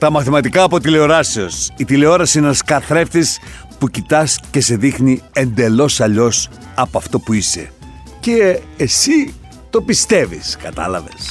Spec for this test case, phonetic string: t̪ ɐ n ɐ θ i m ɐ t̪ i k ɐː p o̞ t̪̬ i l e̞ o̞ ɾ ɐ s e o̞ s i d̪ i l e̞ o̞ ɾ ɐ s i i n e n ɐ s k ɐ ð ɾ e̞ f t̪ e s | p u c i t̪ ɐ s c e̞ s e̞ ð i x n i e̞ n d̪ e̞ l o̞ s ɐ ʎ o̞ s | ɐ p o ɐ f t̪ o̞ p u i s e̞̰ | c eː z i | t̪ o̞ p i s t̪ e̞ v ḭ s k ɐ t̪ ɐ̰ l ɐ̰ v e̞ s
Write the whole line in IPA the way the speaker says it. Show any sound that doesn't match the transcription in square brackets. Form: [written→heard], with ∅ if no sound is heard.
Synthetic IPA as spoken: t̪ ɐ [n→m] ɐ θ i m ɐ t̪ i k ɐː p o̞ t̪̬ i l e̞ o̞ ɾ ɐ s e o̞ s i [d̪→t̪] i l e̞ o̞ ɾ ɐ s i i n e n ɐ s k ɐ [ð→θ] ɾ e̞ f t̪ [e→i] s | p u c i t̪ ɐ s c e̞ s e̞ ð i x n i e̞ n d̪ e̞ l o̞ s ɐ ʎ o̞ s | ɐ p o ɐ f t̪ o̞ p u i s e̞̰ | c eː [z→s] i | t̪ o̞ p i s t̪ e̞ v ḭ s k ɐ t̪ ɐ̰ l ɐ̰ v e̞ s